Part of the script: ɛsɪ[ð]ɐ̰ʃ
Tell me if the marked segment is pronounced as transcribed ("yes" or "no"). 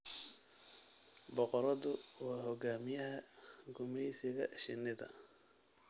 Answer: no